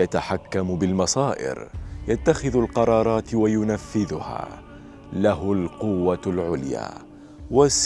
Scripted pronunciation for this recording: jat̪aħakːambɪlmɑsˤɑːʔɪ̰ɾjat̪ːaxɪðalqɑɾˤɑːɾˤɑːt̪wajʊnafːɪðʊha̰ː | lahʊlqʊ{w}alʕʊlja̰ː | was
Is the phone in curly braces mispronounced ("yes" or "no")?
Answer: yes